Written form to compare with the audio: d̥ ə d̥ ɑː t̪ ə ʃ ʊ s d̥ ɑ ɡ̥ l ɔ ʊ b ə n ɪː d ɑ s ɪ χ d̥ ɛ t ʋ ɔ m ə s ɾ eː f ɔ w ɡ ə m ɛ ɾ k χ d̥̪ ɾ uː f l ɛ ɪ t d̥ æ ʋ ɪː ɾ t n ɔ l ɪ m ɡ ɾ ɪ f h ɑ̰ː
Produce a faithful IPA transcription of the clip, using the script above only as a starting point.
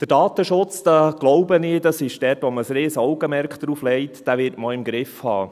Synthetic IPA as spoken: d̥ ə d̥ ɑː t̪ ə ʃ ʊ t͡s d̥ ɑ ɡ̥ l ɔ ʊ b ə n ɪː d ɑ s ɪ ʃ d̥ ɛ t ʋ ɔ m ə s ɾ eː s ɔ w ɡ ə m ɛ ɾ k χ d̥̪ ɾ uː f l ɛ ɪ t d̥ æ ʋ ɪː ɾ t m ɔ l ɪ m ɡ ɾ ɪ f h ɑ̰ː